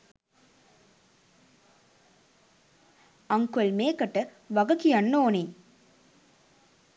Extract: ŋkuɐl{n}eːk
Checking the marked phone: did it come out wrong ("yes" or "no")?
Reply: yes